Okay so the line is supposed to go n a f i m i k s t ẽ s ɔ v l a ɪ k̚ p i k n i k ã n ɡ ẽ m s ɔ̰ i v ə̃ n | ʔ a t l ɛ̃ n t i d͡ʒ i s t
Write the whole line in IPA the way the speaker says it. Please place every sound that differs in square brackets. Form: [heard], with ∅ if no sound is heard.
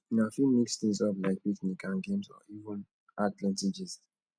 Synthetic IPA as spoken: n a f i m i k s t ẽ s ɔ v l a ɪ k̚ p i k n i k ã n ɡ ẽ m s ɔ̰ i v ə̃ n | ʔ a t l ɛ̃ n t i d͡ʒ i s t